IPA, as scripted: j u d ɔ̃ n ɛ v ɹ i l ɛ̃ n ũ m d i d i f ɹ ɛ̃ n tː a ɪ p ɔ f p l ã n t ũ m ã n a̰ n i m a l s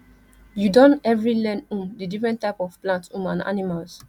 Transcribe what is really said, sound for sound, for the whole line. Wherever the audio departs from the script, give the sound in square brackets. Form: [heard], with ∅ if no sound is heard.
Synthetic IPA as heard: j u d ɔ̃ n ɛ v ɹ i l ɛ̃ n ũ m d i d i f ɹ ɛ̃ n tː a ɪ p ɔ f p l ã n t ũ m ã n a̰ n i m a l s

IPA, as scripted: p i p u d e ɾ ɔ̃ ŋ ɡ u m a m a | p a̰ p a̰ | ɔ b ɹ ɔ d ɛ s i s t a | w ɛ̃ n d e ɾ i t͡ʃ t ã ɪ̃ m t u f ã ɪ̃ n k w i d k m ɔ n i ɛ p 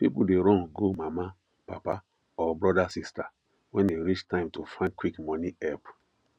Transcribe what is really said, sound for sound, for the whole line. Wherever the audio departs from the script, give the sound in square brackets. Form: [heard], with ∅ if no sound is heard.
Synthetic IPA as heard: p i p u d e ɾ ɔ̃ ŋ ɡ [o] m a m a | p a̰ p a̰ | ɔ b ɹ ɔ d [a] s i s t a | w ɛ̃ n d e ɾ i t͡ʃ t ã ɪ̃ m t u f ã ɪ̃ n k w i [∅] k m ɔ n i ɛ p

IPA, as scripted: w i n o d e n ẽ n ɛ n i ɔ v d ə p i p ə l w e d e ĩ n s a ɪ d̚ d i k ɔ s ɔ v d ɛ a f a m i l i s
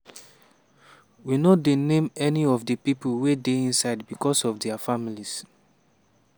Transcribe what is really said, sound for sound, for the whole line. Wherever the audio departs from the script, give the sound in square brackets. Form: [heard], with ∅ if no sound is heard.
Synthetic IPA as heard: w i n o d e n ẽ [m] ɛ n i ɔ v d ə p i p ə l w e d e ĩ n s a ɪ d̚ [b] i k ɔ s ɔ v d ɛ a f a m i l i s

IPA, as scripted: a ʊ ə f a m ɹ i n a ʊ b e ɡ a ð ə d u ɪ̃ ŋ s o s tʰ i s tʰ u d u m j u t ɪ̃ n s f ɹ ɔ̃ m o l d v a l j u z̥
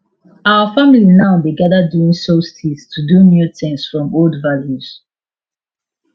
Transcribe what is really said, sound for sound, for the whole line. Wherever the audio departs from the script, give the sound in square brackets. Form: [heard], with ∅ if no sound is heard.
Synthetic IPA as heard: a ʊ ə f a m [l] i n a ʊ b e ɡ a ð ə d u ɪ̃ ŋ s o s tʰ i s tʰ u d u m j u t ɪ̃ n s f ɹ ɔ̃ m o l d v a l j u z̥

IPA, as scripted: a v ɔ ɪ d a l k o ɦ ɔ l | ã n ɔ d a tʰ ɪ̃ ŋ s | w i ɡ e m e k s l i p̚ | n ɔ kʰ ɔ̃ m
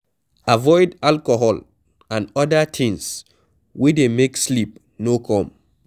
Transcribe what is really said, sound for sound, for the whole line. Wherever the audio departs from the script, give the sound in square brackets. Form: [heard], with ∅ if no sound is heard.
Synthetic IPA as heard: a v ɔ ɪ d a l k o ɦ ɔ l | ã n ɔ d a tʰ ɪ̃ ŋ s | w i [d] e m e k s l i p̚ | n [o] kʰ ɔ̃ m

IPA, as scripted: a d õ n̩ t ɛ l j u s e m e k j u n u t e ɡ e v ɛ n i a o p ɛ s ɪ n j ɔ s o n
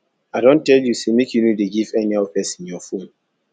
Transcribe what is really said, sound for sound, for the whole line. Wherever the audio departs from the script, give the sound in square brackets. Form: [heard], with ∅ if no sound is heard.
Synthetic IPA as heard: a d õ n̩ t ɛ l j u s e m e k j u n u [d] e ɡ [i] v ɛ n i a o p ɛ s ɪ n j ɔ [f] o n

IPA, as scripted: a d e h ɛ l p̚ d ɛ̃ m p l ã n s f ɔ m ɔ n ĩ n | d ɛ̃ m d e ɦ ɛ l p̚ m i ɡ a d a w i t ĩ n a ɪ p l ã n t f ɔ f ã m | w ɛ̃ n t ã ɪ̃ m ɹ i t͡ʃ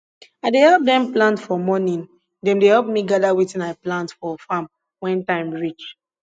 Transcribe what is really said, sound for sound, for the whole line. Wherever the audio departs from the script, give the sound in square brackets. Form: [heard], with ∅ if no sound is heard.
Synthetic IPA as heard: a d e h ɛ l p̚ d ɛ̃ m p l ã n [t] f ɔ m ɔ n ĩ n | d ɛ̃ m d e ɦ ɛ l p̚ m i ɡ a d a w i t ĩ n a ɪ p l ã n t f ɔ f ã m | w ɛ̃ n t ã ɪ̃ m ɹ i t͡ʃ

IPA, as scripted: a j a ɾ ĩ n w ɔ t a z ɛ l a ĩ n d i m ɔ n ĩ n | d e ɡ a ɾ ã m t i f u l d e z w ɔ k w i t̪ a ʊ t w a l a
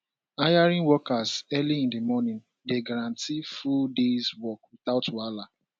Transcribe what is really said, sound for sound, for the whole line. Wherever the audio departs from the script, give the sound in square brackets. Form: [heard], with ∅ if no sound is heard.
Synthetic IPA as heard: a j a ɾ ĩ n w ɔ [k] a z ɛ l [i] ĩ n d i m ɔ n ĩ n | d e ɡ a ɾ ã [n] t i f u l d e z w ɔ k w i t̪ a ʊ t w a l a

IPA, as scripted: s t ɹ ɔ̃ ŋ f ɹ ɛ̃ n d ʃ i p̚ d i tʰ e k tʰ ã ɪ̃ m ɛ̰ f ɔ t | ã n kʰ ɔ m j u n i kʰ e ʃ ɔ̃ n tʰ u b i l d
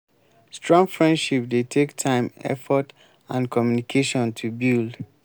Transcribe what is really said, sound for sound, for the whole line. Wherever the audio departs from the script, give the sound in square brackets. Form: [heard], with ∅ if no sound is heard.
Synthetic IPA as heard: s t ɹ ɔ̃ ŋ f ɹ ɛ̃ n d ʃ i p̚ d [e] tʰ e k tʰ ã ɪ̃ m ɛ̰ f ɔ t | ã n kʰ ɔ m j u n i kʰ e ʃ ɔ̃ n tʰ u b i l d

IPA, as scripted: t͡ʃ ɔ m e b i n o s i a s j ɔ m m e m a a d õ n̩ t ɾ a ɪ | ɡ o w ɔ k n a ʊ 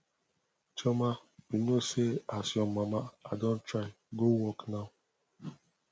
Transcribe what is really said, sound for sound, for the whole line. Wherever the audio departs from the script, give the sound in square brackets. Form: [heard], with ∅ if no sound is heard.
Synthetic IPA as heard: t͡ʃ ɔ m [a] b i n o s [e] a s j ɔ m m [a] m a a d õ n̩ t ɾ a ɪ | ɡ o w ɔ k n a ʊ

